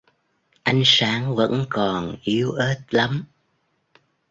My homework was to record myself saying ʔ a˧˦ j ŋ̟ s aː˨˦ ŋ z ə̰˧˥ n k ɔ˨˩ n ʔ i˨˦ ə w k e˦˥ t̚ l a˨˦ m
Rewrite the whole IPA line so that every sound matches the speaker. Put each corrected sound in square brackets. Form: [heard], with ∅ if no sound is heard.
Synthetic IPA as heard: ʔ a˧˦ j ŋ̟ s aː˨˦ ŋ [v] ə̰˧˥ n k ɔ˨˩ n ʔ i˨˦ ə w [ʔ] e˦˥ t̚ l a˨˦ m